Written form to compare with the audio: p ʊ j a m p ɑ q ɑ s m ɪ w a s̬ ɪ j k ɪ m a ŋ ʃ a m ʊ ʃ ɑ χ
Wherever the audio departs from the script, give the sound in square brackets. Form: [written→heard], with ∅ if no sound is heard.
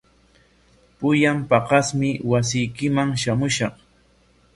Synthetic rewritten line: p ʊ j a m p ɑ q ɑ s m ɪ w a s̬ ɪ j k ɪ m a ŋ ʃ a m ʊ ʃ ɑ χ